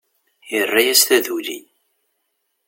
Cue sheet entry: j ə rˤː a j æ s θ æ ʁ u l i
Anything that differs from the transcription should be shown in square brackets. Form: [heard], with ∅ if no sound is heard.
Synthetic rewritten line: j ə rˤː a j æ s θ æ [ð] u l i